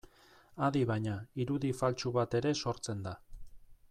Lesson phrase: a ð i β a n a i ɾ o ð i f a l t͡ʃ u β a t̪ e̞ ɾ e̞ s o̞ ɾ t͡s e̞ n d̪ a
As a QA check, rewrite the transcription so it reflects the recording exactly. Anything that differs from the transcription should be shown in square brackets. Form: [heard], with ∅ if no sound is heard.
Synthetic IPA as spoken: a ð i β a [ɲ] a i ɾ [u] ð i f a l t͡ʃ u β a t̪ e̞ ɾ e̞ s o̞ ɾ t͡s e̞ n d̪ a